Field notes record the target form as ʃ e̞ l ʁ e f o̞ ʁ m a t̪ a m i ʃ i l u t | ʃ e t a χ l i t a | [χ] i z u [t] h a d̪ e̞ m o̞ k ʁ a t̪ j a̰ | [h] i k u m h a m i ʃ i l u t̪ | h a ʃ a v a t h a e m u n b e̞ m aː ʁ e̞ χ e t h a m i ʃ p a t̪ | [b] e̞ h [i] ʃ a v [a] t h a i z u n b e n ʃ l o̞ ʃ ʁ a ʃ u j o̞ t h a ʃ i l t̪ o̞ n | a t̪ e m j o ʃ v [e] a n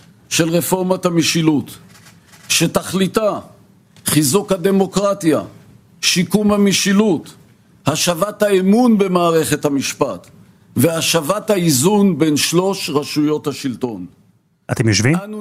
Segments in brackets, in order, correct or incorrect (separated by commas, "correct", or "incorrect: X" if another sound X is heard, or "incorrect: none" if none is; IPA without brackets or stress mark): correct, incorrect: k, incorrect: ʃ, incorrect: v, incorrect: a, correct, incorrect: i